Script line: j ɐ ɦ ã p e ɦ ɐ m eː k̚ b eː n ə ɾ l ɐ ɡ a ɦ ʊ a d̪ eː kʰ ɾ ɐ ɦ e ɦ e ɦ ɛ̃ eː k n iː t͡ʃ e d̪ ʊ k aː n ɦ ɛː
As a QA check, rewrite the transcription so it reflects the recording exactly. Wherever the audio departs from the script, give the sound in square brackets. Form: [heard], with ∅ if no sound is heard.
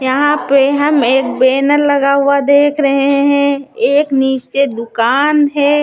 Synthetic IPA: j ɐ ɦ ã p e ɦ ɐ m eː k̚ b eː n ə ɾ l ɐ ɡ a ɦ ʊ a d̪ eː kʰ ɾ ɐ ɦ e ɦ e ɦ ɛ̃ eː k n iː t͡ʃ e d̪ ʊ k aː n ɦ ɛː